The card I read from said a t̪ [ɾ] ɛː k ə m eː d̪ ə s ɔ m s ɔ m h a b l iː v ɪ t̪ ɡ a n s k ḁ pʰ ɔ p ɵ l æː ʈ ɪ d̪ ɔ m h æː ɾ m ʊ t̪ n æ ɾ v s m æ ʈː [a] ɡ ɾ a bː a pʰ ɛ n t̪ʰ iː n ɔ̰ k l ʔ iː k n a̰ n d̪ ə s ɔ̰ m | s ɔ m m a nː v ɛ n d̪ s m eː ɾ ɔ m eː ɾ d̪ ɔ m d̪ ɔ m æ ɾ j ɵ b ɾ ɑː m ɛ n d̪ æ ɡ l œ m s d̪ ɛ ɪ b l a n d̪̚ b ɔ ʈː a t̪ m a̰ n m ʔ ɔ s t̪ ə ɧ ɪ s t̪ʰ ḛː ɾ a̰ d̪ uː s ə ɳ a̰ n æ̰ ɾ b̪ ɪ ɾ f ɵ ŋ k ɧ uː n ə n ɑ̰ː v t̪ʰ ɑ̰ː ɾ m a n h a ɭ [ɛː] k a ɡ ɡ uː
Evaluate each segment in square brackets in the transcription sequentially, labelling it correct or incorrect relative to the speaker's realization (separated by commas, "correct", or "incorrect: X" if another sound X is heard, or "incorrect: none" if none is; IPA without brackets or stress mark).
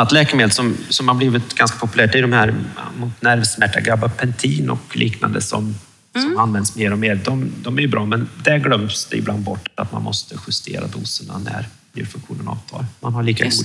incorrect: l, correct, incorrect: iː